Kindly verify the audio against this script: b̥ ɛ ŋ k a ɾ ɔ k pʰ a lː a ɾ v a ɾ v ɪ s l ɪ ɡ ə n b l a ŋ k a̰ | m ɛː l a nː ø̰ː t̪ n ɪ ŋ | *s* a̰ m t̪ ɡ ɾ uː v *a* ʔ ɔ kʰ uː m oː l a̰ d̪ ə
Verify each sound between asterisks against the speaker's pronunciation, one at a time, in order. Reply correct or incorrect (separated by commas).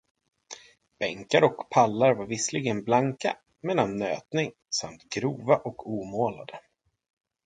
correct, correct